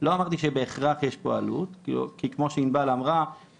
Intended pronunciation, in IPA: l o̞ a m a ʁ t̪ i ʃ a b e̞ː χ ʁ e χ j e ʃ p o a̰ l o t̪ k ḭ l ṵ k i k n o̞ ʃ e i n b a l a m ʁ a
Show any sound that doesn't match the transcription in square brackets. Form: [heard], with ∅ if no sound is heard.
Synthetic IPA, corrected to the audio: l o̞ a m a ʁ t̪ i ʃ [e] b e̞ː χ ʁ [a] χ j e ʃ p o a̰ l [u] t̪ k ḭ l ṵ k i k [m] o̞ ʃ e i n b a l a m ʁ a